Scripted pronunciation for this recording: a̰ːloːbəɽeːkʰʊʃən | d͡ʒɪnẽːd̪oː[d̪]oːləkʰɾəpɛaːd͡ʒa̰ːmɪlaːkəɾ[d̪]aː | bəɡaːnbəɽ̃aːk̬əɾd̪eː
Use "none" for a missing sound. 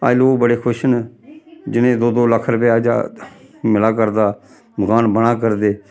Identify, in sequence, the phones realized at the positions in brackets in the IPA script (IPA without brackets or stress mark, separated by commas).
d̪, d̪